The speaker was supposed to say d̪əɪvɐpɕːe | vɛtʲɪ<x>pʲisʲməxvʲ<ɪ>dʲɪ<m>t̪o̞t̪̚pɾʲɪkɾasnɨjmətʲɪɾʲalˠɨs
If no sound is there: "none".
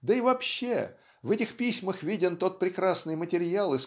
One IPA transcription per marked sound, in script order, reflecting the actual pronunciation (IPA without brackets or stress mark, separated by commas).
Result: x, i, n